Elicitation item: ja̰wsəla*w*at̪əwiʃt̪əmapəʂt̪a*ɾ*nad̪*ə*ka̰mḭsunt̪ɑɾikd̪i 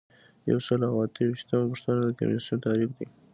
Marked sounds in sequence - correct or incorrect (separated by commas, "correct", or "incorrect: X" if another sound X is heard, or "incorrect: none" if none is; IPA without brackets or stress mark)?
correct, incorrect: none, correct